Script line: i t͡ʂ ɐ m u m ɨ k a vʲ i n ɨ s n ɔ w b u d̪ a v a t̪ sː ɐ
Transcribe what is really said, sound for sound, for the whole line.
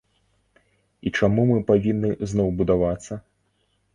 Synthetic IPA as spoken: i t͡ʂ a m u m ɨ p a vʲ i nː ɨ z n ɔ w b u d̪ a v a t̪ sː ɐ